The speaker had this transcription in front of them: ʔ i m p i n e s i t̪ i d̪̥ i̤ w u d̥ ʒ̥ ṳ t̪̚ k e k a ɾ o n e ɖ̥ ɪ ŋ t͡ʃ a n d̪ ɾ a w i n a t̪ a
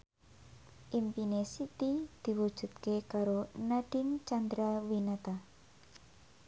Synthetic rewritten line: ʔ i m p i n e s i t̪ i d̪̥ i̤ w u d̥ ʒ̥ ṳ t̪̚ k e k a ɾ o n a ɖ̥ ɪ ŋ t͡ʃ a n d̪ ɾ a w i n a t̪ a

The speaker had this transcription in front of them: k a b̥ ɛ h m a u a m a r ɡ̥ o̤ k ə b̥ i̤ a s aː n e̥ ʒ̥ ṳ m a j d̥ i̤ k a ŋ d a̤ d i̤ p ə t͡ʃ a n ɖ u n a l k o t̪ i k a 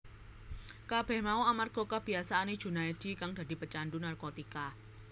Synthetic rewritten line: k a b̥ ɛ h m a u a m a r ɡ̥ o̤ k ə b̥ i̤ a s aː n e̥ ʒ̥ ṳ n a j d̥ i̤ k a ŋ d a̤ d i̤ p ə t͡ʃ a n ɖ u n a r k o t̪ i k a

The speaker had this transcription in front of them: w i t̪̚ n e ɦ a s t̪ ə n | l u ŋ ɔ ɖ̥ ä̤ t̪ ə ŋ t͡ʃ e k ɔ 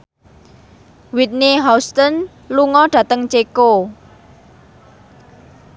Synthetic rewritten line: w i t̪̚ n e ɦ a s t̪ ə n | l u ŋ ɔ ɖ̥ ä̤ t̪ ə ŋ t͡ʃ e k o

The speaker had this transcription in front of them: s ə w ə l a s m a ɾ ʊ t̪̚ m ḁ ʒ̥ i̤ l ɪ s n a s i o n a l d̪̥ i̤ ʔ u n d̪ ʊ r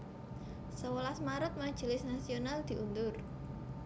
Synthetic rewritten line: s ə w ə l a s m a ɾ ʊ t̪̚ m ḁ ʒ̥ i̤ l ɪ s n a s i o n a l d̪̥ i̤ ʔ u n d̪ ʊ r

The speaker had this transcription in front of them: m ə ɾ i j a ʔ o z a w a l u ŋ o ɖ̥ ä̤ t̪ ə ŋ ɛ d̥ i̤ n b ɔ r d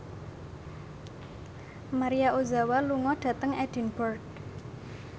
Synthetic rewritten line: m a ɾ i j a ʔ o z a w a l u ŋ ɔ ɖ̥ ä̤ t̪ ə ŋ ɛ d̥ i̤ n b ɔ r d

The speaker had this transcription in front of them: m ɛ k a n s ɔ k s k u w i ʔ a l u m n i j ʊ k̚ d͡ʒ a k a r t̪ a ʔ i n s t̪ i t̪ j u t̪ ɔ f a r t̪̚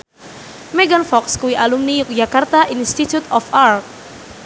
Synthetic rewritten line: m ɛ ɡ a n f ɔ k s k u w i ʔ a l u m n i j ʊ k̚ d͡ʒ a k a r t̪ a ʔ i n s t̪ i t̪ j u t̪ ɔ f a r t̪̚

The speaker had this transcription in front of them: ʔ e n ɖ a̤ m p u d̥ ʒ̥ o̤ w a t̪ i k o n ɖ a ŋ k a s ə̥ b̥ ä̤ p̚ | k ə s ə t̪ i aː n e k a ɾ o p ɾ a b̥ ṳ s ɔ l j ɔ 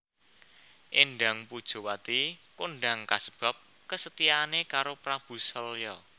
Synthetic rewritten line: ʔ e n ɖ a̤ ŋ p u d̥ ʒ̥ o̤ w a t̪ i k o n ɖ a ŋ k a s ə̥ b̥ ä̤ p̚ | k ə s ə t̪ i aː n e k a ɾ o p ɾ a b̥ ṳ s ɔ l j ɔ

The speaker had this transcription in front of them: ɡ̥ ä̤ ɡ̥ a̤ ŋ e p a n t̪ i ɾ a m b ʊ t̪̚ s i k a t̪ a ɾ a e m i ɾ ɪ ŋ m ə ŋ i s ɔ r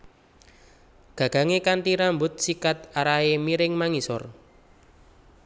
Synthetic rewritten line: ɡ̥ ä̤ ɡ̥ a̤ ŋ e k a n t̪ i ɾ a m b ʊ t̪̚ s i k a t̪ a ɾ a e m i ɾ ɪ ŋ m a ŋ i s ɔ r

